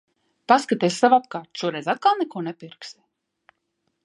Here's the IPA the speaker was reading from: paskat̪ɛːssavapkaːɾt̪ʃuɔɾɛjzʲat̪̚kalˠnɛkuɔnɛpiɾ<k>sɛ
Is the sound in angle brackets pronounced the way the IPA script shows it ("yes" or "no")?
yes